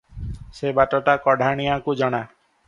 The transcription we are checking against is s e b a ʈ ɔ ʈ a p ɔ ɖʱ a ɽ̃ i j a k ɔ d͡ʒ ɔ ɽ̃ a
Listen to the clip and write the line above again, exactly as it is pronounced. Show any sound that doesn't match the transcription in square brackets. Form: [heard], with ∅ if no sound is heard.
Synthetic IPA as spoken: s e b a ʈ ɔ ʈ a [k] ɔ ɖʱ a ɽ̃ i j a k [u] d͡ʒ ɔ ɽ̃ a

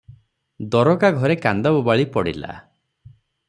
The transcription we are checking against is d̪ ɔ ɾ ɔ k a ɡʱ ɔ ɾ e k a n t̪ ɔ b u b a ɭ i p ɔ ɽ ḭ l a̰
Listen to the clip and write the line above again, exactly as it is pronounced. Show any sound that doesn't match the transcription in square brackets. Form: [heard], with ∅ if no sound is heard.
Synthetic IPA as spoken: d̪ ɔ ɾ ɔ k a ɡʱ ɔ ɾ e k a n [d̪] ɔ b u b a ɭ i p ɔ ɽ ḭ l a̰

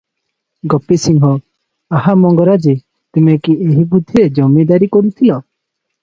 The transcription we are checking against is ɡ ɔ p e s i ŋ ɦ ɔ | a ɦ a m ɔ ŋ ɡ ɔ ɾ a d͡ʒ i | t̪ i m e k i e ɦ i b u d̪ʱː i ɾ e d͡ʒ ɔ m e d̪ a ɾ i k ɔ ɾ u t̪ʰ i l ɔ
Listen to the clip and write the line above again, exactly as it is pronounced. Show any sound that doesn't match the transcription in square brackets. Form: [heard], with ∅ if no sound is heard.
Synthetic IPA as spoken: ɡ ɔ p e s i ŋ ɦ ɔ | a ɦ a m ɔ ŋ ɡ ɔ ɾ a d͡ʒ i | t̪ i m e k i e ɦ i b u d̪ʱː i ɾ e d͡ʒ ɔ m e d̪ a ɾ i k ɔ ɾ u t̪ʰ i l ɔ

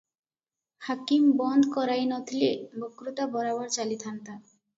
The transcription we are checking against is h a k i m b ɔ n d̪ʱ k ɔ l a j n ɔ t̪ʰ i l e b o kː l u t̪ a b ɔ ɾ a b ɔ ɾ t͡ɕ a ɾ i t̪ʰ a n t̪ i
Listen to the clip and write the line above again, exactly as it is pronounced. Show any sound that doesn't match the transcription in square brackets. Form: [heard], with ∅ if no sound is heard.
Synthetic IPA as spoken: h a k i m b ɔ n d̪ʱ k ɔ [ɾ] a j n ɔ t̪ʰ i l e b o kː [ɾ] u t̪ a b ɔ ɾ a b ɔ ɾ t͡ɕ a [l] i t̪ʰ a n t̪ [a]

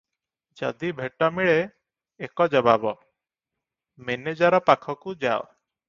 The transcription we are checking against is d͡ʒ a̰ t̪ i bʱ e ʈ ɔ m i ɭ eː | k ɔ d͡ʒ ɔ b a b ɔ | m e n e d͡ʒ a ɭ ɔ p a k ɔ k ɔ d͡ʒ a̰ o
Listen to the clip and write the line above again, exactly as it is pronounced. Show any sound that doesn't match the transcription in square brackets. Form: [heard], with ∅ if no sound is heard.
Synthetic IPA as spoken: d͡ʒ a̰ [d̪] i bʱ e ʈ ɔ m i ɭ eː | k ɔ d͡ʒ ɔ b a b ɔ | m e n e d͡ʒ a [ɾ] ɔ p a [kʰ] ɔ k [u] d͡ʒ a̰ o

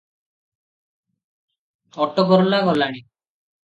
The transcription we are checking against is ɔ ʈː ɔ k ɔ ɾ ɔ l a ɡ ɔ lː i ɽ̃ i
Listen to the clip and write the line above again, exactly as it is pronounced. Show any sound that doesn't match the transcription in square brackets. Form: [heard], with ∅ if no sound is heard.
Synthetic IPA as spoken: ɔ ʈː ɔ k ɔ ɾ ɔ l a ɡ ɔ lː [a] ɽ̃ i

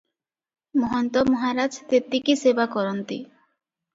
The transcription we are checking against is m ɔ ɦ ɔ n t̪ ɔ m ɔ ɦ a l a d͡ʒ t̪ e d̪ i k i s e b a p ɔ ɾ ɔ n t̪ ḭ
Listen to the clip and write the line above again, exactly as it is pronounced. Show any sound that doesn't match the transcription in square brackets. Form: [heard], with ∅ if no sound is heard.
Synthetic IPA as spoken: m ɔ ɦ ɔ n t̪ ɔ m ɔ ɦ a [ɾ] a d͡ʒ t̪ e [t̪] i k i s e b a [k] ɔ ɾ ɔ n t̪ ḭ

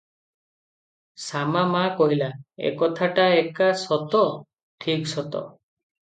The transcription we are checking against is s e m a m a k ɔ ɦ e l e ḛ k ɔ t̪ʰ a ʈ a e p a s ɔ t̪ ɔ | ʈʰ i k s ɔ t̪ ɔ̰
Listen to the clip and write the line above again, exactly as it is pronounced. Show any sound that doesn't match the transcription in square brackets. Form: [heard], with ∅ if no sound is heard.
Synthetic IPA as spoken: s [a] m a m a k ɔ ɦ [i] l [a] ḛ k ɔ t̪ʰ a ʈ a e [k] a s ɔ t̪ ɔ | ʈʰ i k s ɔ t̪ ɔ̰

